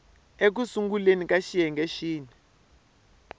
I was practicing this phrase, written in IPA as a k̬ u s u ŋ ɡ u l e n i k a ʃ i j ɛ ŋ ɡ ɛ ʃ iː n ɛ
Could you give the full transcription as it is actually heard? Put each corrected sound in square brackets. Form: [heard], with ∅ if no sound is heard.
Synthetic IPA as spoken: [e] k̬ u s u ŋ ɡ u l e n i k a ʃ i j ɛ ŋ ɡ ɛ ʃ iː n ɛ